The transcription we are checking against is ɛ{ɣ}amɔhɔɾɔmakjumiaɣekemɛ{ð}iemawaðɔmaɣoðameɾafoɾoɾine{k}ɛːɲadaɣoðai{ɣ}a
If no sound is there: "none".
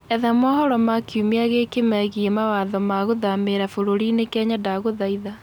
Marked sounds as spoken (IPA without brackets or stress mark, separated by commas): ð, ɣ, k, ð